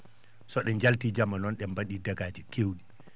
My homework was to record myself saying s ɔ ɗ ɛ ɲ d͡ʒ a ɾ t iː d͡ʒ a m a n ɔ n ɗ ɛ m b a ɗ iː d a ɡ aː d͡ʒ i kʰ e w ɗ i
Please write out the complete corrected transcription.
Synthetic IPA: s ɔ ɗ ɛ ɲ d͡ʒ a l t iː d͡ʒ a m a n ɔ n ɗ ɛ m b a ɗ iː d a ɡ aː d͡ʒ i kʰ e w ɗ i